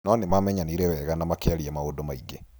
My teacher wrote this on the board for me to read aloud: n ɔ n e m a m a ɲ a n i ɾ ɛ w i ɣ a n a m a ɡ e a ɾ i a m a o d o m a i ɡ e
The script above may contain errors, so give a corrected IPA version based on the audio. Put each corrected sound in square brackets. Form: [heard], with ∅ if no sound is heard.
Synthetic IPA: n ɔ n e m a m [ɛ] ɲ a n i ɾ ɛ w [ɛ] ɣ a n a m a [k] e a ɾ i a m a o d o m a i ɡ e